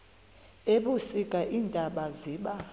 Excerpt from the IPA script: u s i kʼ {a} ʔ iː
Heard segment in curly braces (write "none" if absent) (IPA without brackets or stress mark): a